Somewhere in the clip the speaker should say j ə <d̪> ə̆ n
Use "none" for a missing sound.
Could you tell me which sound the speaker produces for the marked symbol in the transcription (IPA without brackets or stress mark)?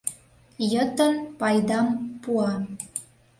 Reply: t̪